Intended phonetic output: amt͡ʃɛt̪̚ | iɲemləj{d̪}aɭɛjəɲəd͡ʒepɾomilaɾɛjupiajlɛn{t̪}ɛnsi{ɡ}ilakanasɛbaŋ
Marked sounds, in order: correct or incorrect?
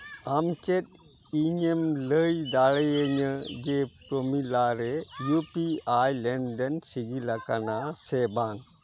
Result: correct, incorrect, correct

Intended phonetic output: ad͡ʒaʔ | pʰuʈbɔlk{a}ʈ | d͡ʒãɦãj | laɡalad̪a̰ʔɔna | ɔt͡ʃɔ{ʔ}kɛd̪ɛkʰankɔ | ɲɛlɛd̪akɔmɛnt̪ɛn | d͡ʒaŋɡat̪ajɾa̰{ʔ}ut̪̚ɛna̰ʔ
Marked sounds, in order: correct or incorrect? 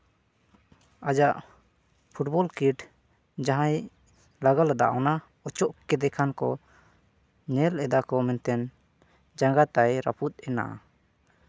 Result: incorrect, correct, incorrect

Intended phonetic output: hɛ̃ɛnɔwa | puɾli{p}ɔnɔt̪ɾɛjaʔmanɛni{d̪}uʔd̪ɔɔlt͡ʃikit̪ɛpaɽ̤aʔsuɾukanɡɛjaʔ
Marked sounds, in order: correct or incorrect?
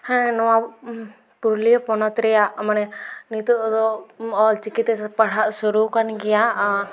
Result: correct, incorrect

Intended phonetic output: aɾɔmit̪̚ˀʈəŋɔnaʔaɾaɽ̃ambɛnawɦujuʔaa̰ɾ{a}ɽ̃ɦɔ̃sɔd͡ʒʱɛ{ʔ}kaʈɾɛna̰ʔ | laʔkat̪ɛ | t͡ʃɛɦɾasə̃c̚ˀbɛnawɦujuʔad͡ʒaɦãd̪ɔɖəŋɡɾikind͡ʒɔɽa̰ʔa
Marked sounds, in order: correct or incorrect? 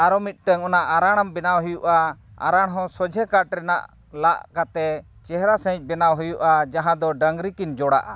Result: correct, incorrect

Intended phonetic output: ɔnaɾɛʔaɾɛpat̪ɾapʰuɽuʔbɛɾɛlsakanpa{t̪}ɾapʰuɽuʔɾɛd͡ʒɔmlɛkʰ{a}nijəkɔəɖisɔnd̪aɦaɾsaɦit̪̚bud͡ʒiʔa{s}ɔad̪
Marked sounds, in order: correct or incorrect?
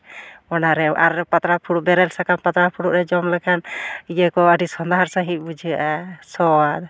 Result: correct, correct, correct

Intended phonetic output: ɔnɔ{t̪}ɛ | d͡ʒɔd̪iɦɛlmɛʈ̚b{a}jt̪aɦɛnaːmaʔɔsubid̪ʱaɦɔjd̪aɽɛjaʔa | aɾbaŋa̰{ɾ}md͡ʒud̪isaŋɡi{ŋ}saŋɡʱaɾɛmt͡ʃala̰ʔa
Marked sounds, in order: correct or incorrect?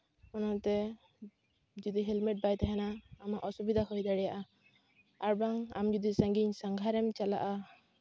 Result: correct, correct, incorrect, incorrect

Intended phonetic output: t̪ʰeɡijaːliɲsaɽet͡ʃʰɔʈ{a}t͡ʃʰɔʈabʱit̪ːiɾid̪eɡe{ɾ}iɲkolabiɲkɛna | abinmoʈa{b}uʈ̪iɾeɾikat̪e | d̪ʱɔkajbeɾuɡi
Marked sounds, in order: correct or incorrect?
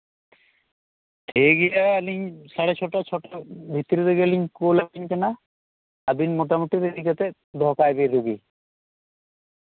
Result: correct, incorrect, incorrect

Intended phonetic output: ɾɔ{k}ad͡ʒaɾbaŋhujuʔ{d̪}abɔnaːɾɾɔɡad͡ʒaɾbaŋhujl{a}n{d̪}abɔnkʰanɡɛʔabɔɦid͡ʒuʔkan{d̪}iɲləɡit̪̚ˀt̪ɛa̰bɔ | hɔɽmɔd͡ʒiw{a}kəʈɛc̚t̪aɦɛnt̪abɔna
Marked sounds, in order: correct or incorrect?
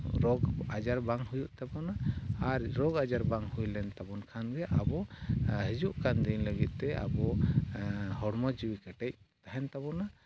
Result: incorrect, incorrect, incorrect, incorrect, correct, incorrect

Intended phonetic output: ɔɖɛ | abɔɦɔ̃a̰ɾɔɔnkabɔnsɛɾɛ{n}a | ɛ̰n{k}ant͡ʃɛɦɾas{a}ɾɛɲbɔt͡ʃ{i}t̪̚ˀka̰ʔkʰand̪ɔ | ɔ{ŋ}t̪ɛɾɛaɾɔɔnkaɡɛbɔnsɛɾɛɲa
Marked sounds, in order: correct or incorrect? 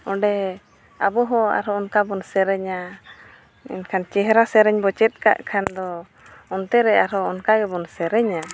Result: incorrect, incorrect, incorrect, incorrect, incorrect

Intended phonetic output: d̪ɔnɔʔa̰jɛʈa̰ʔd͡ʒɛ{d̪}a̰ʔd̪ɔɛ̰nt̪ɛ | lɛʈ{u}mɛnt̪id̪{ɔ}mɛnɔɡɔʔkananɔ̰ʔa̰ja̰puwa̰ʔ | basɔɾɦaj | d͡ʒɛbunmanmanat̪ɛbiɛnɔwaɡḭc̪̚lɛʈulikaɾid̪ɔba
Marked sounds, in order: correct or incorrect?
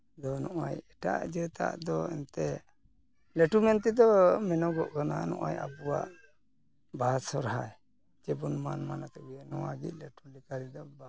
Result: incorrect, correct, correct

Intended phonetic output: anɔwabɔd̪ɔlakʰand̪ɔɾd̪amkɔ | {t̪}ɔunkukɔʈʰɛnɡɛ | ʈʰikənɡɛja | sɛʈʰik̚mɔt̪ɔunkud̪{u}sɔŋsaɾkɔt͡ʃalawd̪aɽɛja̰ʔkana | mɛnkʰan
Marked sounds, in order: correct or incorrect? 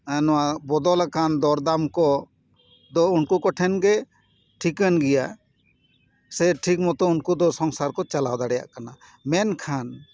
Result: incorrect, incorrect

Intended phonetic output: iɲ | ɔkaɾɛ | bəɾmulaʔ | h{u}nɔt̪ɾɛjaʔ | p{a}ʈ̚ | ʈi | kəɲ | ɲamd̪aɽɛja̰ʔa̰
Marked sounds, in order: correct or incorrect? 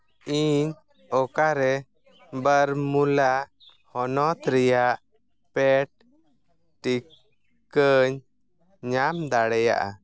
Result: incorrect, incorrect

